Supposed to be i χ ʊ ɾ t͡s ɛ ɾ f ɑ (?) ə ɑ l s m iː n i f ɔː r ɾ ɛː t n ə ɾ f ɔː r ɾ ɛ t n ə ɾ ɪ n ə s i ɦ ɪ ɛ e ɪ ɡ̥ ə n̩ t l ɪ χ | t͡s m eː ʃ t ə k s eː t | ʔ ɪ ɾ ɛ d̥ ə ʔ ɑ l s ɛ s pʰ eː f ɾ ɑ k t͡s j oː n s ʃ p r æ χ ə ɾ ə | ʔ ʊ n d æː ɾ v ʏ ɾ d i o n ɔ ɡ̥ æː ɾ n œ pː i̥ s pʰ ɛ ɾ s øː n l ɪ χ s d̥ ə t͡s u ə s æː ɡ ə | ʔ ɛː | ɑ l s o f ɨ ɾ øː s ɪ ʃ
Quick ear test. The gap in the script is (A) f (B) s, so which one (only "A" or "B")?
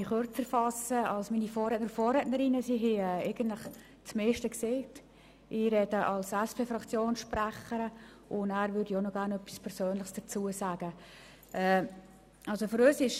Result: B